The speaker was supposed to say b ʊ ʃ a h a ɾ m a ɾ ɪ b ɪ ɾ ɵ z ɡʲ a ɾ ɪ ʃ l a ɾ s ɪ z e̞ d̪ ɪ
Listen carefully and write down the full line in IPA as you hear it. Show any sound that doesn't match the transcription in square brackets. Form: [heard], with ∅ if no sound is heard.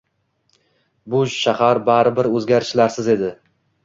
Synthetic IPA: b ʊ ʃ a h a ɾ [b] a ɾ ɪ b ɪ ɾ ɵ z ɡʲ a ɾ ɪ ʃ l a ɾ s ɪ z e̞ d̪ ɪ

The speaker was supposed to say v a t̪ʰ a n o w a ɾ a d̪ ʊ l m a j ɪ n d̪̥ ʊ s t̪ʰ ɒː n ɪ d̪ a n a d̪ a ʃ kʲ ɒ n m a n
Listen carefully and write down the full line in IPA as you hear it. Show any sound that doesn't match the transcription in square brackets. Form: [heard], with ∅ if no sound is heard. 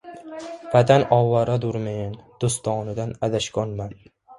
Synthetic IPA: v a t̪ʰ a n [ɒ] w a ɾ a d̪ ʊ [ɾ] m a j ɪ n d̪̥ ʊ s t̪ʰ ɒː n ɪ d̪ a n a d̪ a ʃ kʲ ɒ n m a n

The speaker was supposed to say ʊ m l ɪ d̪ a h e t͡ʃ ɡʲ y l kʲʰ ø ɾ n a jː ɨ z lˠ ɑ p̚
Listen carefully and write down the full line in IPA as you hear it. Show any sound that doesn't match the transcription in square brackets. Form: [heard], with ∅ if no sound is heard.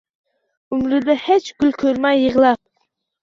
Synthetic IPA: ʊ m [ɾ] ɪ d̪ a h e t͡ʃ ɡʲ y l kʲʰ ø ɾ [m] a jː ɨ [ʁ] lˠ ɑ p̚

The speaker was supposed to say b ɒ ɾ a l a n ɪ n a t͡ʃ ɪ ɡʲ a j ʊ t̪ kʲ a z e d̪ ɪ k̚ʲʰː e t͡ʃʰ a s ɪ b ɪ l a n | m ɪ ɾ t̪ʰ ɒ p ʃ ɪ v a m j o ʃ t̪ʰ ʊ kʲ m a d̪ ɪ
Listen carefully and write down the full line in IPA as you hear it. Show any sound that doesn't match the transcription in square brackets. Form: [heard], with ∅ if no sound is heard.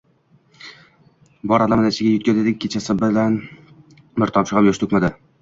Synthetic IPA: b ɒ ɾ a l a [m] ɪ n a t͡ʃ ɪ ɡʲ a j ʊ t̪ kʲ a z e d̪ ɪ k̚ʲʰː e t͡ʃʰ a s ɪ b ɪ l a n | m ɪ ɾ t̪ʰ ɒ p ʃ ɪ [ʁ] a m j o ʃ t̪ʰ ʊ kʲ m a d̪ ɪ

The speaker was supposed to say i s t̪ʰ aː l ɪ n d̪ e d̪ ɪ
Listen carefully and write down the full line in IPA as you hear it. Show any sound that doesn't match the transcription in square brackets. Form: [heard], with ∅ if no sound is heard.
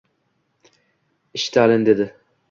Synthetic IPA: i [ʃ] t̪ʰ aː l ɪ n d̪ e d̪ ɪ

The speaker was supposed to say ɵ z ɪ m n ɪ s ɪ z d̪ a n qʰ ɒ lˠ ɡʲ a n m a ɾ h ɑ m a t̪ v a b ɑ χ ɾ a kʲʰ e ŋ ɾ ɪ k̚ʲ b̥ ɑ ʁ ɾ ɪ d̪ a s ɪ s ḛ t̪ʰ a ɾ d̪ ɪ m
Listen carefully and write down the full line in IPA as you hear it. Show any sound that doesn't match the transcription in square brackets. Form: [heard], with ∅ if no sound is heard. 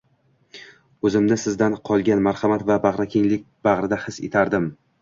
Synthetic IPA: ɵ z ɪ m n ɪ s ɪ z d̪ a n qʰ ɒ lˠ ɡʲ a n m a ɾ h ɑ m a t̪ v a b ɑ [ʁ] ɾ a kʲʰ e ŋ [l] ɪ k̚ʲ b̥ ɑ ʁ ɾ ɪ d̪ a [h] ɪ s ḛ t̪ʰ a ɾ d̪ ɪ m

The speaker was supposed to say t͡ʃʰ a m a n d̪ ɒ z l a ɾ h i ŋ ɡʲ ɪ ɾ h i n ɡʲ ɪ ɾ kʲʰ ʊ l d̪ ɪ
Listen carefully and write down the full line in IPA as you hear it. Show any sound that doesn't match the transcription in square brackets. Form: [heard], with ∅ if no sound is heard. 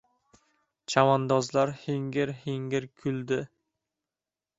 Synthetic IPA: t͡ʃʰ a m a n d̪ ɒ z l a ɾ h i ŋ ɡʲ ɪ ɾ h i [ŋ] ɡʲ ɪ ɾ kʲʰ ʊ l d̪ ɪ

